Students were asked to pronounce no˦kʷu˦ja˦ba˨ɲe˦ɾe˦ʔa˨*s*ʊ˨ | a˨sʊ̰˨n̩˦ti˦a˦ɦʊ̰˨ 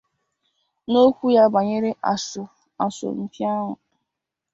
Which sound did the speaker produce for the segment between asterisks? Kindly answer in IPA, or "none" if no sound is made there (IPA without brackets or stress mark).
s